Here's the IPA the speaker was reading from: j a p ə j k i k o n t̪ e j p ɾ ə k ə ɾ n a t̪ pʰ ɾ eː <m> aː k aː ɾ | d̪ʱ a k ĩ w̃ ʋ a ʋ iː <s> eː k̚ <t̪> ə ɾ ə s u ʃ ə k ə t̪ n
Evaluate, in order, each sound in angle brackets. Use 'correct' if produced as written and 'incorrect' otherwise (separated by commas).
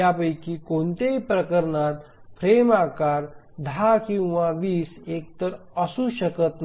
correct, correct, correct